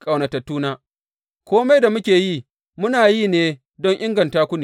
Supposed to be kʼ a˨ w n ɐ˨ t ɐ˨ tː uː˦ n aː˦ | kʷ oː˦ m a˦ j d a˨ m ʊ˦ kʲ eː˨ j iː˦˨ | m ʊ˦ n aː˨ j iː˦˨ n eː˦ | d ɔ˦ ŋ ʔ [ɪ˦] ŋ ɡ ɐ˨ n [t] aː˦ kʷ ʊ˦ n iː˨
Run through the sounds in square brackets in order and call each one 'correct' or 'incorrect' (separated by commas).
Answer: correct, correct